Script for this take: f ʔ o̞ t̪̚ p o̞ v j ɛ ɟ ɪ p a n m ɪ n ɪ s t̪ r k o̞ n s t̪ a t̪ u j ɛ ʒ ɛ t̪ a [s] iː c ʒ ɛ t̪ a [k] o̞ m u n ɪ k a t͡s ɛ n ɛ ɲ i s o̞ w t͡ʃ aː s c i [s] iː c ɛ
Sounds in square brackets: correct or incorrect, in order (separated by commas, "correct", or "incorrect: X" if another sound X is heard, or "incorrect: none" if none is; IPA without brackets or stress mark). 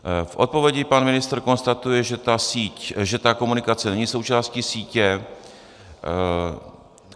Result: correct, correct, correct